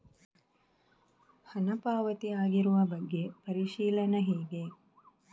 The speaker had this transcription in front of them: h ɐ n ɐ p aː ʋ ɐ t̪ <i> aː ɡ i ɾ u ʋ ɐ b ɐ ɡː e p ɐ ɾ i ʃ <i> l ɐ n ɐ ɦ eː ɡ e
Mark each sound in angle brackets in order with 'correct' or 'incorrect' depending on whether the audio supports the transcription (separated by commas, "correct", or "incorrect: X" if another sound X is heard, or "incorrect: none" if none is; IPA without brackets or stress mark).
correct, incorrect: iː